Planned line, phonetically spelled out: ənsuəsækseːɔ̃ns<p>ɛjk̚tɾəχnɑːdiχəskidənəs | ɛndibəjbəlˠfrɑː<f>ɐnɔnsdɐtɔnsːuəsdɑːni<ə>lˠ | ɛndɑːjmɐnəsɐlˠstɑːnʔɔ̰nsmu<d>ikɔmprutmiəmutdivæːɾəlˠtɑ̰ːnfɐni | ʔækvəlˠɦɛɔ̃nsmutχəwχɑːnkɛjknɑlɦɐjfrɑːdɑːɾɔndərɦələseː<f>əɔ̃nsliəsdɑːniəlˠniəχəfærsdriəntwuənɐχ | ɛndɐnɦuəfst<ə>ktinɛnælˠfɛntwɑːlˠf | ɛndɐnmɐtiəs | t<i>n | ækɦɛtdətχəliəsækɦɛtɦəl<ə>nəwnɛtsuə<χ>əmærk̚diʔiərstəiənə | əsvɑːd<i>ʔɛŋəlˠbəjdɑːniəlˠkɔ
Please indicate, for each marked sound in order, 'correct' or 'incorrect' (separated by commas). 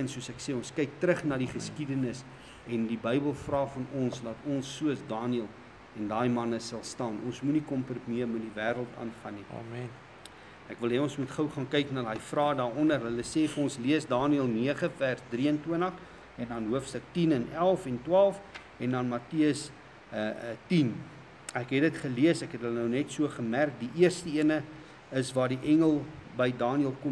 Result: incorrect, correct, correct, incorrect, correct, correct, correct, correct, correct, correct